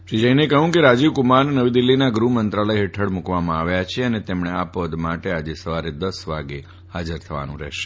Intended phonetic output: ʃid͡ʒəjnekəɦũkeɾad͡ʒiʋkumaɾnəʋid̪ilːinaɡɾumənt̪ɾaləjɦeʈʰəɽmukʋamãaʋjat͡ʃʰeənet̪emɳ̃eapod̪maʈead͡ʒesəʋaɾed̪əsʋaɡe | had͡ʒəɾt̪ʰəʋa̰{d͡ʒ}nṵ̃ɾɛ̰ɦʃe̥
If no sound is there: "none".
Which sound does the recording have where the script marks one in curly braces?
none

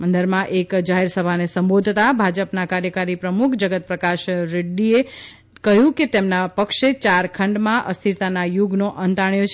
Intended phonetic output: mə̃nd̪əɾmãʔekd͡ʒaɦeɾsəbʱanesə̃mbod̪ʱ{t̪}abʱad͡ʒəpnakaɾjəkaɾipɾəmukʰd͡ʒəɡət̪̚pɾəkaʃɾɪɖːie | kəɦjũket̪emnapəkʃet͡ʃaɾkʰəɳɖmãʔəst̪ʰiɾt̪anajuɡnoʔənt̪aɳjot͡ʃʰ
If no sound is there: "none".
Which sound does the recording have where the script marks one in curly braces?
t̪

